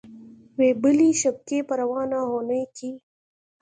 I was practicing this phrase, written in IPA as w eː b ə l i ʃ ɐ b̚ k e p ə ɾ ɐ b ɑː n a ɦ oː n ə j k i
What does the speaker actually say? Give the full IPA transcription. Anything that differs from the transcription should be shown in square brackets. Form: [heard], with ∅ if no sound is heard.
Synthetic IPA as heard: w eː b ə l i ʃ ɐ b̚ k e p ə ɾ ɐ [w] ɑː n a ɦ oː n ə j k i